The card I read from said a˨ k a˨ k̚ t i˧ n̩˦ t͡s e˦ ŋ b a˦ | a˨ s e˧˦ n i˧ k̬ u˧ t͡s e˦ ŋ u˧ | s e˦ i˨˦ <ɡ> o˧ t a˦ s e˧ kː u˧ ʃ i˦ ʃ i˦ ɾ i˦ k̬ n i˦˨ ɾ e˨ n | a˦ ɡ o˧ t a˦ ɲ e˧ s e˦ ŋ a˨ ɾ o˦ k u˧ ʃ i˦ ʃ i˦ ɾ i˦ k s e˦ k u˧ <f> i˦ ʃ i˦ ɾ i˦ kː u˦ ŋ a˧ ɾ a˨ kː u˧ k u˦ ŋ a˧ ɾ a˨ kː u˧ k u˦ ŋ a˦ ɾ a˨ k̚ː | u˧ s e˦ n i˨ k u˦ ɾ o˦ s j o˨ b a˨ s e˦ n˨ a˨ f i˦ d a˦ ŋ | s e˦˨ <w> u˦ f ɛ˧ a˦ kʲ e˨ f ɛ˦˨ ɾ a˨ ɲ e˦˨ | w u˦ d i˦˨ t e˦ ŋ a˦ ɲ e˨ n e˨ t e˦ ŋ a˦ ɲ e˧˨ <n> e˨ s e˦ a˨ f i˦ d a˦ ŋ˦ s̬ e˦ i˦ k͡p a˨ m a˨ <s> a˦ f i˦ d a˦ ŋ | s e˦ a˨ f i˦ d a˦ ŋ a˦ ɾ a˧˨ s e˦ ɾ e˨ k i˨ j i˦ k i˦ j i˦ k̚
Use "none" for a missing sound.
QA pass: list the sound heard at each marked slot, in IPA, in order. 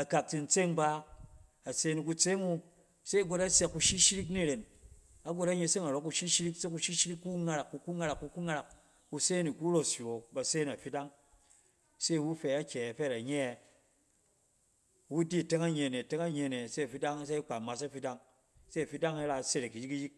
ɡ, ʃ, w, n, s

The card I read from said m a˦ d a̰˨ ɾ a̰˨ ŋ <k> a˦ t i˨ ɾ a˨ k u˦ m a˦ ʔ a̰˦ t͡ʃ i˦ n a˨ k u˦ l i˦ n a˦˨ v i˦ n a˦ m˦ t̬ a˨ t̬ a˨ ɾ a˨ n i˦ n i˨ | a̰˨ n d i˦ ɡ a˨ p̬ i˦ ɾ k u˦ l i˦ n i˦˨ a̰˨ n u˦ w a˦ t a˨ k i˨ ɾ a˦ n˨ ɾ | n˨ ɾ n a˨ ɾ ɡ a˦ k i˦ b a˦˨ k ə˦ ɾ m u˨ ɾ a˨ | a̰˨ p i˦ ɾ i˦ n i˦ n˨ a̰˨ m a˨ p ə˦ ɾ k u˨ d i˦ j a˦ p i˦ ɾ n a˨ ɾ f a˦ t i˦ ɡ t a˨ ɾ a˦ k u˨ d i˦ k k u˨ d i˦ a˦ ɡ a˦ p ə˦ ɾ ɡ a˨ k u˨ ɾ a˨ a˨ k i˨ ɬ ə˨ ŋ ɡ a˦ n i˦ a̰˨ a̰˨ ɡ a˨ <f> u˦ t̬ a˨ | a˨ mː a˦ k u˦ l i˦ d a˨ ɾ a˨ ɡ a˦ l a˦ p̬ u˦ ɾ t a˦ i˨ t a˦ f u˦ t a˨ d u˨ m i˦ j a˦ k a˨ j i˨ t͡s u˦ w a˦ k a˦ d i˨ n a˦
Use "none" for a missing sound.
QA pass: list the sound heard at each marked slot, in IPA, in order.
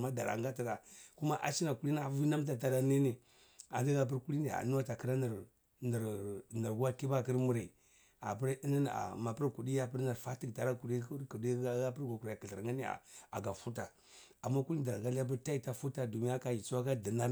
ɡ, f

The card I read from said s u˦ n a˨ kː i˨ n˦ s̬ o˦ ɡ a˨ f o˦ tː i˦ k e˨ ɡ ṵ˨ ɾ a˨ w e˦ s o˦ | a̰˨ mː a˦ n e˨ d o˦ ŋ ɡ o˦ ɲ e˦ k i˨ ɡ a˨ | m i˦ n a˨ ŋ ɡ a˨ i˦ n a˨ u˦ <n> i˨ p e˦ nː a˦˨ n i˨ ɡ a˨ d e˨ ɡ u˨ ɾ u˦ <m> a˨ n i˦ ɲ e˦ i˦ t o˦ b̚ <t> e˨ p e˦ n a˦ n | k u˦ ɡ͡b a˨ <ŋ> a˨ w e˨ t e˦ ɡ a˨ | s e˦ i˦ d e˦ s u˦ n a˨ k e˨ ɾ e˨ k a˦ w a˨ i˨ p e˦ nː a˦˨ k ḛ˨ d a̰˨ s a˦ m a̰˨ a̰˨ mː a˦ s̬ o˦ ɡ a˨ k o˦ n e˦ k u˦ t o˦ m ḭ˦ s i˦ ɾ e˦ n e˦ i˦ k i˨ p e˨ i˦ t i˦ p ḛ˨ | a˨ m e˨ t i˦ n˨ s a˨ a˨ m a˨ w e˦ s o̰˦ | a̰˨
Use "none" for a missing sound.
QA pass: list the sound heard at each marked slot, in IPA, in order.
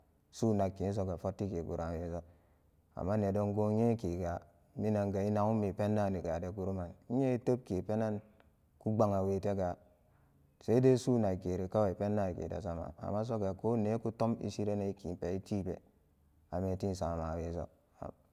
m, m, k, ŋ

